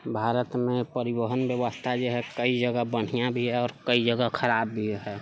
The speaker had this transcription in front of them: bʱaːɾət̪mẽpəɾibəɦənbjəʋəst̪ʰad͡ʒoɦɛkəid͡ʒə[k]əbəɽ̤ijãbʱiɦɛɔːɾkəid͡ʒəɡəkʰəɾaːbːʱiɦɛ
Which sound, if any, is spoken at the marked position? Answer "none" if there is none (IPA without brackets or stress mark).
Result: ɡ